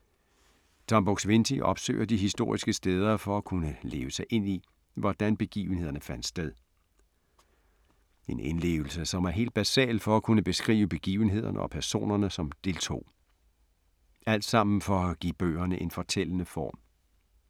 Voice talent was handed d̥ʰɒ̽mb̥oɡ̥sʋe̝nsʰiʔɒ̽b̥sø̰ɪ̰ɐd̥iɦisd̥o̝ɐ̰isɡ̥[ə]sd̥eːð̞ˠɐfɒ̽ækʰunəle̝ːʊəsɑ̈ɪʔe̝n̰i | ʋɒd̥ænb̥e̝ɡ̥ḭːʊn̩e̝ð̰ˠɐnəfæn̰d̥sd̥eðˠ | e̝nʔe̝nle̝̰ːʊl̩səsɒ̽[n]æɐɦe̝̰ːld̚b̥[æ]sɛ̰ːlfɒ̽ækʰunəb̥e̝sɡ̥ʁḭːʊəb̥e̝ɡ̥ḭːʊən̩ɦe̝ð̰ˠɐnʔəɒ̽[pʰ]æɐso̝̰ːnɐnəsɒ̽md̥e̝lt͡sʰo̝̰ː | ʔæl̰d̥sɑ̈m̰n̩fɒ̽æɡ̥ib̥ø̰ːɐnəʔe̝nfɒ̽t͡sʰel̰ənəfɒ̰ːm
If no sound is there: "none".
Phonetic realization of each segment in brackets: ə, m, æ, pʰ

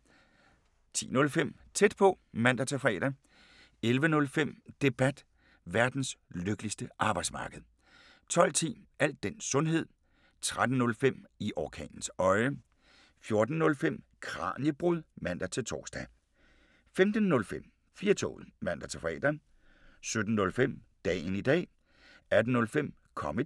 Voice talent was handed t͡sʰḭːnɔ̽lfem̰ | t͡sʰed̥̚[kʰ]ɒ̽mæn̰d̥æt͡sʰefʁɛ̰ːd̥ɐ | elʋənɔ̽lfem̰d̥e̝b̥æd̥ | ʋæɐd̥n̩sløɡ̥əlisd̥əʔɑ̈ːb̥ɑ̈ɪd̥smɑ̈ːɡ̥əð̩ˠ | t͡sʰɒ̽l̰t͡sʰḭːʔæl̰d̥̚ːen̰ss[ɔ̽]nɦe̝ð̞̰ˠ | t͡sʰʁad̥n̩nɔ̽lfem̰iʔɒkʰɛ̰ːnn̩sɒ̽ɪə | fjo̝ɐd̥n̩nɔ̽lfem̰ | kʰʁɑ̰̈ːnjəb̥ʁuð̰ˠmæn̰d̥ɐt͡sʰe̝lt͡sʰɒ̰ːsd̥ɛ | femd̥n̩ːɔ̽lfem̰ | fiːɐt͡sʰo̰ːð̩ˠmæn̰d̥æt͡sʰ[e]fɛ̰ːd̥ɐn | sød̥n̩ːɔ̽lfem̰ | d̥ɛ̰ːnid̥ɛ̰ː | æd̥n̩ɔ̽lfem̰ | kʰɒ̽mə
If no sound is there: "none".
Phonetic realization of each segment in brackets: pʰ, ɔ̽, e

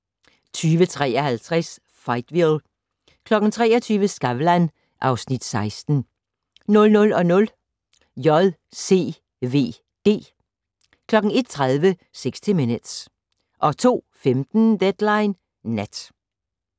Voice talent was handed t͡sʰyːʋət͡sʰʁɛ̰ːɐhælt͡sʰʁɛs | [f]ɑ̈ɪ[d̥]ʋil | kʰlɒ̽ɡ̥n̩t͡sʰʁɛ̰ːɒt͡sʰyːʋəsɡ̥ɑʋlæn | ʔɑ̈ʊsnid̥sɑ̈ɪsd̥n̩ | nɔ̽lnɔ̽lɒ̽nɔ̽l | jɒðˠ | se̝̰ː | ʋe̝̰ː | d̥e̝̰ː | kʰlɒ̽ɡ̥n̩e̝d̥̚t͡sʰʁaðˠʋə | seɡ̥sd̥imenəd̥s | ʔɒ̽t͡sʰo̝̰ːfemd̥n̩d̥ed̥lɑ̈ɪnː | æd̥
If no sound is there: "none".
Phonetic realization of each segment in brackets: f, d̥

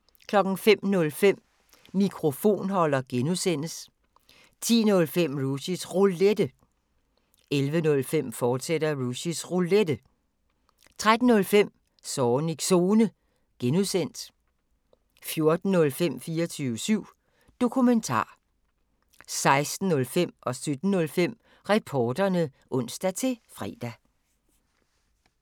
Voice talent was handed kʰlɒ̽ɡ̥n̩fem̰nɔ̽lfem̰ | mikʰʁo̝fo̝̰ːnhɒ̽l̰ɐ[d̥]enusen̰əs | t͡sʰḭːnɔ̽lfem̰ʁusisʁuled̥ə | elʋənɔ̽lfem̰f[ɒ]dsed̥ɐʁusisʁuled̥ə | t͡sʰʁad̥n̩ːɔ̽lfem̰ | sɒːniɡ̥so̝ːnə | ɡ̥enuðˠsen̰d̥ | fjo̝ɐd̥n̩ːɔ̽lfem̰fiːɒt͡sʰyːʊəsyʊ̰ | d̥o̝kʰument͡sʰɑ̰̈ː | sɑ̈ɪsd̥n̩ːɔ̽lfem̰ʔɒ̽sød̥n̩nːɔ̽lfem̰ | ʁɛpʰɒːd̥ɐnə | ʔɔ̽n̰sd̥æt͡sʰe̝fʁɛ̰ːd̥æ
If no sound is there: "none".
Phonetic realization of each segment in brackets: ɡ̥, ɒː

